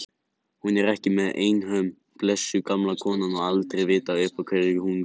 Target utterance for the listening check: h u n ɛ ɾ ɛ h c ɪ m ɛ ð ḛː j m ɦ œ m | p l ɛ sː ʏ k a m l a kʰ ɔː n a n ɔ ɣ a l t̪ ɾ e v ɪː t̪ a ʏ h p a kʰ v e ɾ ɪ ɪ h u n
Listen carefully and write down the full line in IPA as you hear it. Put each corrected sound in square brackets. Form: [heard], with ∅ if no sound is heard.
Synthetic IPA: h u n ɛ ɾ ɛ h c ɪ m ɛ ð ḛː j [n] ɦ œ m | p l ɛ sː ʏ k a m l a kʰ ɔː n a n ɔ ɣ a l t̪ ɾ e v ɪː t̪ a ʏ h p a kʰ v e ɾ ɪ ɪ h u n